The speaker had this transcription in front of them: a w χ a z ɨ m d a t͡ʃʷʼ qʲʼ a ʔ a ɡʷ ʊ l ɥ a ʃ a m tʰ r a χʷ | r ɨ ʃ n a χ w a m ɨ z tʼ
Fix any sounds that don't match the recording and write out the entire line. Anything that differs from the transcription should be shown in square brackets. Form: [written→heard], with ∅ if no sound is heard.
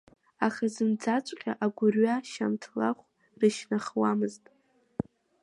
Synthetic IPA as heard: a [w→∅] χ a z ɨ m [d→d͡z] a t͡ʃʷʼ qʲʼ a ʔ a ɡʷ ʊ [l→r] ɥ a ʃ a m tʰ [r→l] a χʷ | r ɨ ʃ n a χ w a m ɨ z tʼ